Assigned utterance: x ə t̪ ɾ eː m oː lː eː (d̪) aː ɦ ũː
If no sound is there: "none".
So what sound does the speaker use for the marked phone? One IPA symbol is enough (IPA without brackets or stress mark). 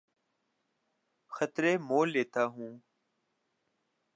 t̪